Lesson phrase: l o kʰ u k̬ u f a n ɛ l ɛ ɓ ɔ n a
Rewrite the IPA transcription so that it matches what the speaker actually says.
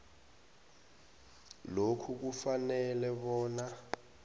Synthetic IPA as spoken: l o kʰ u k̬ u f a n ɛ l ɛ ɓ ɔː n a